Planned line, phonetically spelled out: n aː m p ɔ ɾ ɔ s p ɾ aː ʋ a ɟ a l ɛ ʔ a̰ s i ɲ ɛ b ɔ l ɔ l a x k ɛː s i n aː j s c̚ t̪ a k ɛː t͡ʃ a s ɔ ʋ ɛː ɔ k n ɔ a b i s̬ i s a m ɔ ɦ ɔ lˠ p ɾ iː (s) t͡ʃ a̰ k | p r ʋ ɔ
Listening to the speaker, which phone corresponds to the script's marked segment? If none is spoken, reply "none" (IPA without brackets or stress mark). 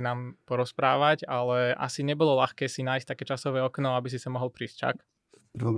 s